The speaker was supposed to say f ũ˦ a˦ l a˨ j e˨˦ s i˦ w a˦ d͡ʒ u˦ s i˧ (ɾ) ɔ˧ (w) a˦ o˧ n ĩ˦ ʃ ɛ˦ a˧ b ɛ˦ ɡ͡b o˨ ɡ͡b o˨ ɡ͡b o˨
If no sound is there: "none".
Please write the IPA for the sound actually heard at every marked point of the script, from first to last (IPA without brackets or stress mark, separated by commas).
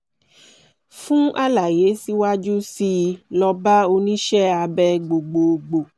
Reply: l, b